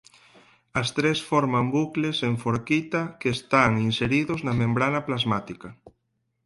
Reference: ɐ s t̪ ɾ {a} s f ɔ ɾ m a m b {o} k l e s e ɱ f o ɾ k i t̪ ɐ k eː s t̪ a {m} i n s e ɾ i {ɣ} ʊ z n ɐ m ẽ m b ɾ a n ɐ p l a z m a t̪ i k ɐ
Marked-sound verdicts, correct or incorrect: incorrect: e, incorrect: u, incorrect: ŋ, incorrect: ð

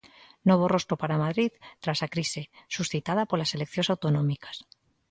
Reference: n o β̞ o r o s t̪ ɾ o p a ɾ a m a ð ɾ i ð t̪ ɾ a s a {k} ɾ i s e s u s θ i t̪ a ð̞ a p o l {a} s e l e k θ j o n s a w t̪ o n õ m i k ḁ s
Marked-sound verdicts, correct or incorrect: correct, correct

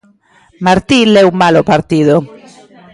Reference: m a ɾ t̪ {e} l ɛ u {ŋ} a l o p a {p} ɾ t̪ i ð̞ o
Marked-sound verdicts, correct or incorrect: incorrect: i, incorrect: m, incorrect: none

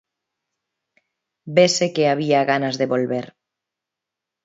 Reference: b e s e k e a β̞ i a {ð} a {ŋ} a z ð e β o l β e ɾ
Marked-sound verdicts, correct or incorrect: incorrect: ɣ, incorrect: n

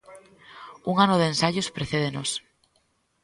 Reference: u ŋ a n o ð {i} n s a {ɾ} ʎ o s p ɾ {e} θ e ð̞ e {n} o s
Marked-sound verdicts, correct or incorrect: incorrect: e, incorrect: none, correct, correct

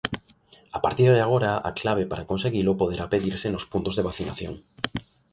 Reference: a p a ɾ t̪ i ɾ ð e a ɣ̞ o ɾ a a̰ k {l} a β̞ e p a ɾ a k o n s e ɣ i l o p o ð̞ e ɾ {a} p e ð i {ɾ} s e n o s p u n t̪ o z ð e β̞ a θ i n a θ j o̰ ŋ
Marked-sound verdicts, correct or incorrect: correct, correct, correct

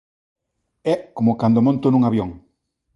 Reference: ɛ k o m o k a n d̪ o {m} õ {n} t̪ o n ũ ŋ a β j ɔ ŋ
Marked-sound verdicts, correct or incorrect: correct, correct

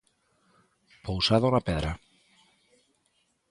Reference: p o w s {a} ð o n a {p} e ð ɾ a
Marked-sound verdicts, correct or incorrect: correct, correct

